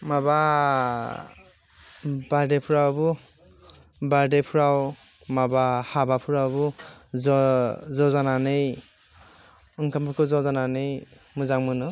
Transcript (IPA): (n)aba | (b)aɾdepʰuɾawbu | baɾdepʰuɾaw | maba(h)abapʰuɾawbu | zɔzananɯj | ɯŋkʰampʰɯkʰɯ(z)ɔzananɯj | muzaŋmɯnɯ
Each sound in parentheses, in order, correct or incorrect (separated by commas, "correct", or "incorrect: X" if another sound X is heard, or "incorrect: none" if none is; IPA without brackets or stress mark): incorrect: m, correct, correct, correct